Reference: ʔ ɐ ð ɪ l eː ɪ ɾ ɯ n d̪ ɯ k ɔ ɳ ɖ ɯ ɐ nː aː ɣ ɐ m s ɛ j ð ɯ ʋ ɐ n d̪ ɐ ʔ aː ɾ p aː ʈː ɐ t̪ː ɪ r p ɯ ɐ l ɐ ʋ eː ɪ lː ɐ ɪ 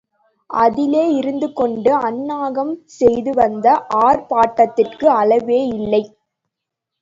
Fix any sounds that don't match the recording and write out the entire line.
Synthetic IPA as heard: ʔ ɐ ð ɪ l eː ɪ ɾ ɯ n d̪ ɯ k ɔ ɳ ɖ ɯ ɐ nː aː ɣ ɐ m s ɛ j ð ɯ ʋ ɐ n d̪ ɐ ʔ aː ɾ p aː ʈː ɐ t̪ː ɪ r k ɯ ɐ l ɐ ʋ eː ɪ lː ɐ ɪ

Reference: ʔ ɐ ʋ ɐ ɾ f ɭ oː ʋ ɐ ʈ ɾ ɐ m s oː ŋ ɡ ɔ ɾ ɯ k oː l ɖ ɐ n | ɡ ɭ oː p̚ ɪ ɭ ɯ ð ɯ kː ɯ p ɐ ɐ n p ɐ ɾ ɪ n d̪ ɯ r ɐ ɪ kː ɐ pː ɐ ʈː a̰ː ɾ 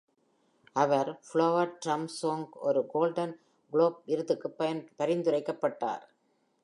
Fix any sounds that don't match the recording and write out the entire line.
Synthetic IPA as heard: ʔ ɐ ʋ ɐ ɾ f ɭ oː ʋ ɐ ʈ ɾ ɐ m s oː ŋ ɡ ɔ ɾ ɯ ɡ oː l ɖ ɐ n | ɡ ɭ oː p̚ ɪ ɾ ɯ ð ɯ kː ɯ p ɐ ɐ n p ɐ ɾ ɪ n d̪ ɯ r ɐ ɪ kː ɐ pː ɐ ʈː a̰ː ɾ

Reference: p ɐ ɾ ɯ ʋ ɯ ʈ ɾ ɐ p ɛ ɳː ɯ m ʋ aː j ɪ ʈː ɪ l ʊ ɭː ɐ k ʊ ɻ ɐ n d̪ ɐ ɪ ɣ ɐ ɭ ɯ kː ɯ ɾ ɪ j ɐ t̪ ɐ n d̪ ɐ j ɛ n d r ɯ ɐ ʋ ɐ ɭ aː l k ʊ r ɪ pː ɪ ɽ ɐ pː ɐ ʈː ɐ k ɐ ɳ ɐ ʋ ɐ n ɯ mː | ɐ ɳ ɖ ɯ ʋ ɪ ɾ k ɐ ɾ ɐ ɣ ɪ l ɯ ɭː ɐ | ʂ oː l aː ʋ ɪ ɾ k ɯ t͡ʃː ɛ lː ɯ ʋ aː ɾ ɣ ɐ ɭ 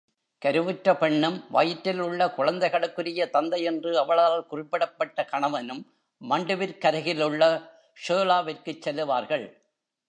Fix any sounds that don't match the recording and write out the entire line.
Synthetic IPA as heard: k ɐ ɾ ɯ ʋ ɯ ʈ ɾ ɐ p ɛ ɳː ɯ m ʋ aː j ɪ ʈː ɪ l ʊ ɭː ɐ k ʊ ɻ ɐ n d̪ ɐ ɪ ɣ ɐ ɭ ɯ kː ɯ ɾ ɪ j ɐ t̪ ɐ n d̪ ɐ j ɛ n d r ɯ ɐ ʋ ɐ ɭ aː l k ʊ r ɪ pː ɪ ɽ ɐ pː ɐ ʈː ɐ k ɐ ɳ ɐ ʋ ɐ n ɯ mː | ɐ ɳ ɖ ɯ ʋ ɪ ɾ k ɐ ɾ ɐ ɣ ɪ l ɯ ɭː ɐ | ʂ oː l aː ʋ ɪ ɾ k ɯ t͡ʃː ɛ lː ɯ ʋ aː ɾ ɣ ɐ ɭ

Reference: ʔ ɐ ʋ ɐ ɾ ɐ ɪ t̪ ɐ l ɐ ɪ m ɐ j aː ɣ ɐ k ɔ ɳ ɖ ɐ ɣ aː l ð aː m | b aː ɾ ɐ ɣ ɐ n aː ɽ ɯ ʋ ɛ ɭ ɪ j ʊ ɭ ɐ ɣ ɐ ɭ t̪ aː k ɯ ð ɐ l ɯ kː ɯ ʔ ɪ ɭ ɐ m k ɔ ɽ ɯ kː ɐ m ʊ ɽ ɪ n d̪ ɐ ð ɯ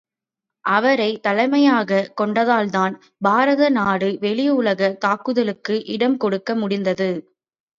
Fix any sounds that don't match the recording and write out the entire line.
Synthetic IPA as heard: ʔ ɐ ʋ ɐ ɾ ɐ ɪ t̪ ɐ l ɐ ɪ m ɐ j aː ɣ ɐ k ɔ ɳ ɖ ɐ ð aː l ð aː n | b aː ɾ ɐ ð ɐ n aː ɽ ɯ ʋ ɛ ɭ ɪ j ʊ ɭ ɐ ɣ ɐ t̪ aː k ɯ ð ɐ l ɯ kː ɯ ʔ ɪ ɽ ɐ m k ɔ ɽ ɯ kː ɐ m ʊ ɽ ɪ n d̪ ɐ ð ɯ

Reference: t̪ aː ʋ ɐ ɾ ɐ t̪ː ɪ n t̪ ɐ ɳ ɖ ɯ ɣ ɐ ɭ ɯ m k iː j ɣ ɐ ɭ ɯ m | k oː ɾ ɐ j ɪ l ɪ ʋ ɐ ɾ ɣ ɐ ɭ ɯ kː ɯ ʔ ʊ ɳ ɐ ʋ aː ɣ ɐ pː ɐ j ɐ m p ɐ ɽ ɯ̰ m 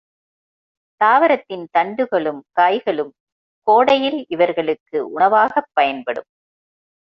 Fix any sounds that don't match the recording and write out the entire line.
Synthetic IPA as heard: t̪ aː ʋ ɐ ɾ ɐ t̪ː ɪ n t̪ ɐ ɳ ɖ ɯ ɣ ɐ ɭ ɯ m k aː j ɣ ɐ ɭ ɯ m | k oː ɽ ɐ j ɪ l ɪ ʋ ɐ ɾ ɣ ɐ ɭ ɯ kː ɯ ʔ ʊ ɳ ɐ ʋ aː ɣ ɐ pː ɐ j ɐ n p ɐ ɽ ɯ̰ m

